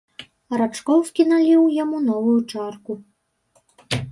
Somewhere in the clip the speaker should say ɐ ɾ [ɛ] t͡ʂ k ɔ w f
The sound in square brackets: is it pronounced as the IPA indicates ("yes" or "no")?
no